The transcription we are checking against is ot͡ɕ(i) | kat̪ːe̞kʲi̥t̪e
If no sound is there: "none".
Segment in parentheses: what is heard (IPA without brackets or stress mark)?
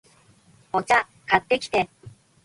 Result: a